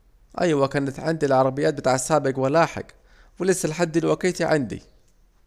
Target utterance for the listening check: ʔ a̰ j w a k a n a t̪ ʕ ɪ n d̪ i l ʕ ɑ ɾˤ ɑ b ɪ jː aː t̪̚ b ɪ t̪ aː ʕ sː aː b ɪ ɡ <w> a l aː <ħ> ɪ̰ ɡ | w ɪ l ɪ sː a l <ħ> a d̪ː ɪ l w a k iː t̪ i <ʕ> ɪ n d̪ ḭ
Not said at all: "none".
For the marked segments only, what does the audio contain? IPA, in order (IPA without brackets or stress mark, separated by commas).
w, ħ, ħ, ʕ